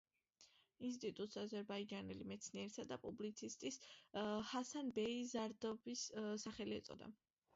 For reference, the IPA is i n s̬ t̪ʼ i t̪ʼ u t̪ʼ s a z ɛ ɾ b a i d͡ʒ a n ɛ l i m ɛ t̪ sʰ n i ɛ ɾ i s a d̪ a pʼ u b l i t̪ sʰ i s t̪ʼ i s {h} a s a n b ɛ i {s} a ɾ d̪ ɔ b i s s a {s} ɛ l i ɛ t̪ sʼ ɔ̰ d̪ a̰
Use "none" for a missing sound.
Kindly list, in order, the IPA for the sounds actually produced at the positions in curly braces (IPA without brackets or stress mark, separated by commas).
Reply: h, z, χ